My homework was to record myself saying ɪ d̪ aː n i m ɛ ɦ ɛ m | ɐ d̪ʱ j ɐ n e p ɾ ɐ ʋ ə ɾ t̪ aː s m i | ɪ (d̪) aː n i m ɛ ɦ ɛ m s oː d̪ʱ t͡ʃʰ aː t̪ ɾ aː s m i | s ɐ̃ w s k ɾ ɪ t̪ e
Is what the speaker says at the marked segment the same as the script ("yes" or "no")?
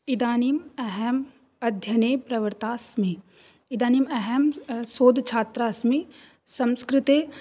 yes